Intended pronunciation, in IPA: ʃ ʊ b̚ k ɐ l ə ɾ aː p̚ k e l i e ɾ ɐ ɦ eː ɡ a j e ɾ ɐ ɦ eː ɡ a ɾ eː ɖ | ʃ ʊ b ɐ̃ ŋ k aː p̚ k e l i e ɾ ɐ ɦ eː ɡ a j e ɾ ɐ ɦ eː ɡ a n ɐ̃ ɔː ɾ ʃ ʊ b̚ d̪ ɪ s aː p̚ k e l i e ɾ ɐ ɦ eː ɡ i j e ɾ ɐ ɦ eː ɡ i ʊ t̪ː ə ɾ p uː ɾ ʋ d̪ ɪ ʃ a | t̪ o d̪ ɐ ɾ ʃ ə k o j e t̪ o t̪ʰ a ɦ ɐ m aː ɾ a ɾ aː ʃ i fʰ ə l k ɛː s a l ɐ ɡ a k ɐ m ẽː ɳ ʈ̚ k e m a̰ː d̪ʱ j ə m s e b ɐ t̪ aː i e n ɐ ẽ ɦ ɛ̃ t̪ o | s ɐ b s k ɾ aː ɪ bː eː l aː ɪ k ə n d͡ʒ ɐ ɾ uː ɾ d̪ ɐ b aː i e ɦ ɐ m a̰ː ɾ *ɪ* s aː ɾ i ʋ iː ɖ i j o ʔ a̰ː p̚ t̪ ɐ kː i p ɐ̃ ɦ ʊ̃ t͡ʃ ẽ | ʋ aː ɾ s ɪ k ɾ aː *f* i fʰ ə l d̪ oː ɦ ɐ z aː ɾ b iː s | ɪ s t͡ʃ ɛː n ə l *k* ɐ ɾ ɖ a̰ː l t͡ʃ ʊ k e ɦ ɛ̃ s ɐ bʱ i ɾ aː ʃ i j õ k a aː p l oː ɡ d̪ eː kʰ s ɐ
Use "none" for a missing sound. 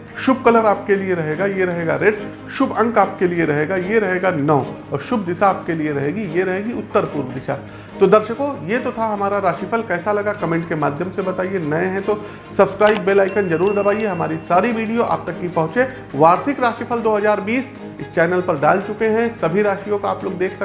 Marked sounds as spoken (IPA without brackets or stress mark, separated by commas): i, ʃ, p